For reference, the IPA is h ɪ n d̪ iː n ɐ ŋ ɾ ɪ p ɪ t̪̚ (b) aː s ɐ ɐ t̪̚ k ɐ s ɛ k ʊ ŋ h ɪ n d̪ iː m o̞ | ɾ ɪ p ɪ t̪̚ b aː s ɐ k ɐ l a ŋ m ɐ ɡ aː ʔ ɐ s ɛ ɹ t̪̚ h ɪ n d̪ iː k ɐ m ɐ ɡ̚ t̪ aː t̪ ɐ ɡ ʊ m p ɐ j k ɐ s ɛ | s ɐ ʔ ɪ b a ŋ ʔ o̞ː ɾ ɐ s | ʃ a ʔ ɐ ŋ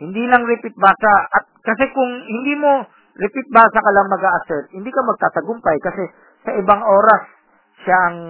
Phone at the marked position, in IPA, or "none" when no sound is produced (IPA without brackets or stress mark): b